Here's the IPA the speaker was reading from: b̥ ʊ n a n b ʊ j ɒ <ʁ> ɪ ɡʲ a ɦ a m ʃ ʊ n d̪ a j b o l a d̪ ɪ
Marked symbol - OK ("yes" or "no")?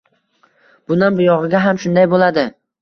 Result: yes